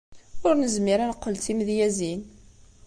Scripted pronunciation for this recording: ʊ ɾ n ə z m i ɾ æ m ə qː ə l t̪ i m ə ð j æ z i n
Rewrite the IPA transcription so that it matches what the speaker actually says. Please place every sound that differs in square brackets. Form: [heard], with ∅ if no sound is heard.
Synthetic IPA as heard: ʊ ɾ n ə z m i ɾ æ [n] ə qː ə l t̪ i m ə ð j æ z i n